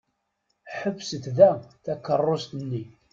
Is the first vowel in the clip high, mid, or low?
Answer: mid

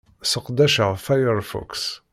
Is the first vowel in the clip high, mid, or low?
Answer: mid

